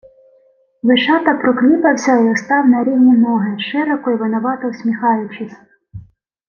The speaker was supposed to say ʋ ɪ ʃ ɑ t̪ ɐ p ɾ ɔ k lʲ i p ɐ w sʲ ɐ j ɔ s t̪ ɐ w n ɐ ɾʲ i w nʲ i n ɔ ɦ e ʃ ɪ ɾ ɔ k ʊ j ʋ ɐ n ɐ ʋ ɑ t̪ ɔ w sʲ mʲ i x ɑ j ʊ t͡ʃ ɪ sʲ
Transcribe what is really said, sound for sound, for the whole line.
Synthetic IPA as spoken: ʋ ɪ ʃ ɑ t̪ ɐ p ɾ ɔ k lʲ i p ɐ w sʲ ɐ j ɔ s t̪ ɑ w n ɐ ɾʲ i w nʲ i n ɔ ɦ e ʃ ɪ ɾ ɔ k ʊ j ʋ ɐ n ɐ ʋ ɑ t̪ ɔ w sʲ mʲ i x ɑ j ʊ t͡ʃ ɪ sʲ